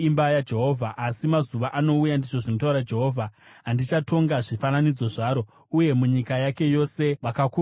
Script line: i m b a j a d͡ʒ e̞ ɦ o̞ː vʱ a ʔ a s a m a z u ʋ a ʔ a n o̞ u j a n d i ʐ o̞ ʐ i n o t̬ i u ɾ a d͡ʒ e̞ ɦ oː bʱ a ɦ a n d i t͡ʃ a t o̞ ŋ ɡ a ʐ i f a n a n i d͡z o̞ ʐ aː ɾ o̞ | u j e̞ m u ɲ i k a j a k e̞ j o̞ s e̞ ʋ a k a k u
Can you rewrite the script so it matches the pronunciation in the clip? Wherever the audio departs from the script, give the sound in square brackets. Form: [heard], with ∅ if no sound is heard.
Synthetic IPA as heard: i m b a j a d͡ʒ e̞ ɦ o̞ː vʱ a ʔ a s [i] m a z u ʋ a ʔ a n o̞ u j a n d i ʐ o̞ ʐ i n o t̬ [a] u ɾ a d͡ʒ e̞ ɦ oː [vʱ] a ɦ a n d i t͡ʃ a t o̞ ŋ ɡ a ʐ i f a n a n i d͡z o̞ ʐ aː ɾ o̞ | u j e̞ m u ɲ i k a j a k e̞ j o̞ s e̞ ʋ a k a k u